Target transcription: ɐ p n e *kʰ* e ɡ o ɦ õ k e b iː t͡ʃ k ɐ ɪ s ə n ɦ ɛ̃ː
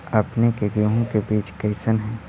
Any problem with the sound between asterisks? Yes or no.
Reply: yes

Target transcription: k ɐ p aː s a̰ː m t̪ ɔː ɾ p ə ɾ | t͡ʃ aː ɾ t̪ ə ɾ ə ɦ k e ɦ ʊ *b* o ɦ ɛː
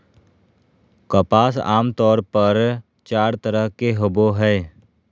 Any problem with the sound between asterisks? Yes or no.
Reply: no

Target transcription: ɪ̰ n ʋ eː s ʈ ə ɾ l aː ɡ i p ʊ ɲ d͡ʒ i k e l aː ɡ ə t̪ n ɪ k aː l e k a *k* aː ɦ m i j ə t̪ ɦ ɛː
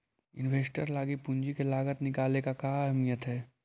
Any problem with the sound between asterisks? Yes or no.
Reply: no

